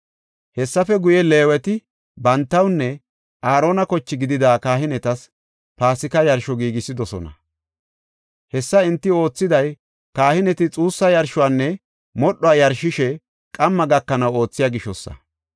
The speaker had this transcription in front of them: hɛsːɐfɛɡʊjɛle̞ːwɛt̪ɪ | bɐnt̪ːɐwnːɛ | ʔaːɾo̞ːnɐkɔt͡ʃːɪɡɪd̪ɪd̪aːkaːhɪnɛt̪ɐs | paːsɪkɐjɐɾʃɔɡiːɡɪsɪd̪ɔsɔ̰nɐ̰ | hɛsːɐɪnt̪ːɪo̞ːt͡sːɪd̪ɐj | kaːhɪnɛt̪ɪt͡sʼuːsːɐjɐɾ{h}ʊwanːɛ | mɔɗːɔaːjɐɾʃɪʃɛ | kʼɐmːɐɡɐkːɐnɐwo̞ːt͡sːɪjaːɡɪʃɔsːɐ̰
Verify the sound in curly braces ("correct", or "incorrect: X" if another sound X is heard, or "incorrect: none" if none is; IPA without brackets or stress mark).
incorrect: ʃ